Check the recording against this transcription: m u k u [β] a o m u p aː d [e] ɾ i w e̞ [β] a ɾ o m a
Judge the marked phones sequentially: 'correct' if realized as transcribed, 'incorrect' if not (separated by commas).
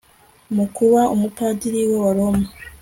correct, incorrect, incorrect